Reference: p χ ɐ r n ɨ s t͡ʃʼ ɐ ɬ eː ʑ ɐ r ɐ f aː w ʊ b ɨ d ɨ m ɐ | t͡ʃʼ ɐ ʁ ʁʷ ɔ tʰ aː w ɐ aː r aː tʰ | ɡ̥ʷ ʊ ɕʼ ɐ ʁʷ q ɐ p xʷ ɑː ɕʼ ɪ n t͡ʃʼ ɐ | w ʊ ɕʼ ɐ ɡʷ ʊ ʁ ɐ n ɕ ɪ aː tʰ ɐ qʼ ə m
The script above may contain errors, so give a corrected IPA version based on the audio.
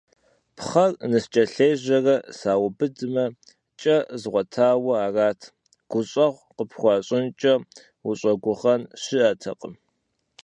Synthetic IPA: p χ ɐ r n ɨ s t͡ʃʼ ɐ ɬ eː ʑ ɐ r ɐ s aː w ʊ b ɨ d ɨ m ɐ | t͡ʃʼ ɐ z ʁʷ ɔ tʰ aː w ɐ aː r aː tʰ | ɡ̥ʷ ʊ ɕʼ ɐ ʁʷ q ə p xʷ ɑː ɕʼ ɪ n t͡ʃʼ ɐ | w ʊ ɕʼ ɐ ɡʷ ʊ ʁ ɐ n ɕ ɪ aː tʰ ɐ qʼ ə m